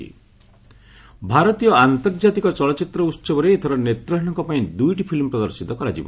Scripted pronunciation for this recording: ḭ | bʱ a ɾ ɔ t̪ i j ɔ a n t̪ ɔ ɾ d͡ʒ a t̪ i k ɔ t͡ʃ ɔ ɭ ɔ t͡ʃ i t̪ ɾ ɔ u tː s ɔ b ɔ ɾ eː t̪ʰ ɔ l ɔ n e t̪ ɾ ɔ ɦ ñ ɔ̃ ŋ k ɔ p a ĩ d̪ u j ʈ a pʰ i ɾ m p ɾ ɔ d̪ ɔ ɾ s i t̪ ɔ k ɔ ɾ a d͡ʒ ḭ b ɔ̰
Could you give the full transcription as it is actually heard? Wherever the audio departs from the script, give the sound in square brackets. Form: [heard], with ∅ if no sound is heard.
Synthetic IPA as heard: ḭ | bʱ a ɾ ɔ t̪ i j ɔ a n t̪ ɔ ɾ d͡ʒ a t̪ i k ɔ t͡ʃ ɔ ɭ ɔ t͡ʃ i t̪ ɾ ɔ u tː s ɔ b ɔ ɾ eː t̪ʰ ɔ [ɾ] ɔ n e t̪ ɾ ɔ ɦ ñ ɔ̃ ŋ k ɔ p a ĩ d̪ u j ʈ [i] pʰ i [l] m p ɾ ɔ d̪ ɔ ɾ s i t̪ ɔ k ɔ ɾ a d͡ʒ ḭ b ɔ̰

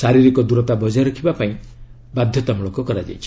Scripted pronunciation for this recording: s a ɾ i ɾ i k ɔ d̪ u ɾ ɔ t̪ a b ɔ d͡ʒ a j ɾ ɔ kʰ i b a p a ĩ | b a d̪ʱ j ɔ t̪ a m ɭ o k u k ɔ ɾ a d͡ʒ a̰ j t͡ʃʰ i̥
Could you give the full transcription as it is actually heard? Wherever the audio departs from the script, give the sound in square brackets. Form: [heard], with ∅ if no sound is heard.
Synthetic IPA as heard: s a ɾ i ɾ i k ɔ d̪ u ɾ ɔ t̪ a b ɔ d͡ʒ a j ɾ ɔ kʰ i b a p a ĩ | b a d̪ʱ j ɔ t̪ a m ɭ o k [ɔ] k ɔ ɾ a d͡ʒ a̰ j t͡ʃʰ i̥

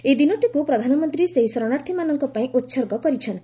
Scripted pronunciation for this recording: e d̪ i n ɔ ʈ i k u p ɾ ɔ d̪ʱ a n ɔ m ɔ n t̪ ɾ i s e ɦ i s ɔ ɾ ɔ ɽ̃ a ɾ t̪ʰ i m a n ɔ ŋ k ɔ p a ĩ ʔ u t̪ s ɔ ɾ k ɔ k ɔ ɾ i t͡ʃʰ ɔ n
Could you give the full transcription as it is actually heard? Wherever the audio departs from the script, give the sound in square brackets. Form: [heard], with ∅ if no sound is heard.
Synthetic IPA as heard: e d̪ i n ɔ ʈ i k u p ɾ ɔ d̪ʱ a n ɔ m ɔ n t̪ ɾ i s e ɦ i s ɔ ɾ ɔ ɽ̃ a ɾ t̪ʰ i m a n ɔ ŋ k ɔ p a ĩ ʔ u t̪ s ɔ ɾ [ɡ] ɔ k ɔ ɾ i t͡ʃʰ ɔ n

